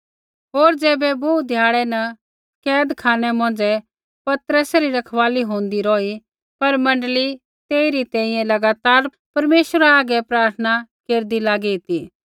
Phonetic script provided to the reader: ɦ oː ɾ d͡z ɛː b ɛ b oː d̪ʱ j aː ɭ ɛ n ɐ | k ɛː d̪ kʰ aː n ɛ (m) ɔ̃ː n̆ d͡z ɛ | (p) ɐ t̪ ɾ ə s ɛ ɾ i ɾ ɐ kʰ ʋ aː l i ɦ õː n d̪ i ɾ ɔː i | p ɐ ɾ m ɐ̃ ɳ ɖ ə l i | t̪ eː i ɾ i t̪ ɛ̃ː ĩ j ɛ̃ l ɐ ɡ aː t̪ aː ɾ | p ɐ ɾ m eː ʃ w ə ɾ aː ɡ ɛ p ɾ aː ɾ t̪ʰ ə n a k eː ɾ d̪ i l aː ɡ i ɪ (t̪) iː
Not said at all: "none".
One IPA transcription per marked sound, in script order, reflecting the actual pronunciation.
m, p, t̪

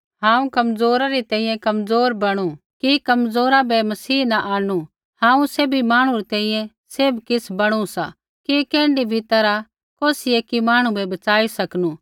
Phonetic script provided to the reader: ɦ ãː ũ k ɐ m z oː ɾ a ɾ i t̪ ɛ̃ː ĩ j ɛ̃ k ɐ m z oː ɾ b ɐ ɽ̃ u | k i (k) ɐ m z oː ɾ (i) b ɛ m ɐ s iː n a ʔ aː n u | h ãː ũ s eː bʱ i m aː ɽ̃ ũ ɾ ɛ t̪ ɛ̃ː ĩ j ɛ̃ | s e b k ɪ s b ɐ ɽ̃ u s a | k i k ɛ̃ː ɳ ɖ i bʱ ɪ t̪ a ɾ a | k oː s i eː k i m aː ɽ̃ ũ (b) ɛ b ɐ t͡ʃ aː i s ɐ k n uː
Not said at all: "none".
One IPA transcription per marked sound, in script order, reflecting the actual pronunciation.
k, a, b

